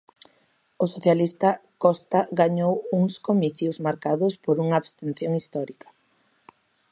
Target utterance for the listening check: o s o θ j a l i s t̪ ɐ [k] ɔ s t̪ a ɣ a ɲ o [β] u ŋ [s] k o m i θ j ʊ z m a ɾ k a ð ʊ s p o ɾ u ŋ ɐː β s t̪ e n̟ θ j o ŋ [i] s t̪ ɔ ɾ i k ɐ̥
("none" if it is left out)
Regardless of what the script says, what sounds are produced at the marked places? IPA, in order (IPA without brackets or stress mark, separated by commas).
k, w, s, i